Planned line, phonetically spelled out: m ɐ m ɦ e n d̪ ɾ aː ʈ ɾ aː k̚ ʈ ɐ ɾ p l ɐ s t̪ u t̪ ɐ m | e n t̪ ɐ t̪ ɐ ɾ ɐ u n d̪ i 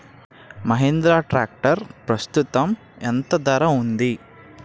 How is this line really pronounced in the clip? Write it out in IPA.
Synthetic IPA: m ɐ ɦ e n d̪ ɾ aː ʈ ɾ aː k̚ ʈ ɐ ɾ p ɾ ɐ s t̪ u t̪ ɐ m | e n t̪ ɐ d̪ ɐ ɾ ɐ u n d̪ i